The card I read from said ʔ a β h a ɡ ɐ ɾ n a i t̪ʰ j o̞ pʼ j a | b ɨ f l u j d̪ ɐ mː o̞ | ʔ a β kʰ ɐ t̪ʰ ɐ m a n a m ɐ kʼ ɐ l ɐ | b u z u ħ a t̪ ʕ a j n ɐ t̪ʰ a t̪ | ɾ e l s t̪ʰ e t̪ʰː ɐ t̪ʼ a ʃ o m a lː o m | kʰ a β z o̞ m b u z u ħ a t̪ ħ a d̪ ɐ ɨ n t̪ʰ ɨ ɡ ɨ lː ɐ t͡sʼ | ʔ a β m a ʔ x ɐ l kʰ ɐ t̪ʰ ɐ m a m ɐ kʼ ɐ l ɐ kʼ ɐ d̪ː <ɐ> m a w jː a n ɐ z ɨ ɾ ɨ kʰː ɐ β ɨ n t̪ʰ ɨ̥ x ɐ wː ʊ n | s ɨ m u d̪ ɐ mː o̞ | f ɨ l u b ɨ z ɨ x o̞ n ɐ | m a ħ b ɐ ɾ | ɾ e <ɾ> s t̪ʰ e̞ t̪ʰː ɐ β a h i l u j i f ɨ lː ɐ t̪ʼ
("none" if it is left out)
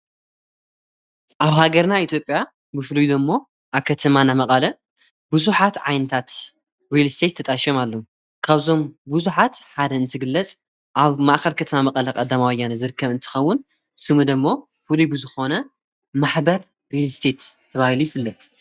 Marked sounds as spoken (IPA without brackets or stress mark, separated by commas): a, l